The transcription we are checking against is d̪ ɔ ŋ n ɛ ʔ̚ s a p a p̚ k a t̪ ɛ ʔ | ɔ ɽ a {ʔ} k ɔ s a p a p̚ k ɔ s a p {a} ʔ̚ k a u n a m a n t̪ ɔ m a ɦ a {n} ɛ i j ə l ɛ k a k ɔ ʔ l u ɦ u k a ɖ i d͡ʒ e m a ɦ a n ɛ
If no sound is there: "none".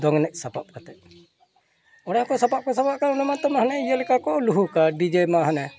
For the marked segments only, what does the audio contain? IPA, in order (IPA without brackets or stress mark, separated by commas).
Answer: none, a, n